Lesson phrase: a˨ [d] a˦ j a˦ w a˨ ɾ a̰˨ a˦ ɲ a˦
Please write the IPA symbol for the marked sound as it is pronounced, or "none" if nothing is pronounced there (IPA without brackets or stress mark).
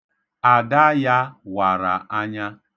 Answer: d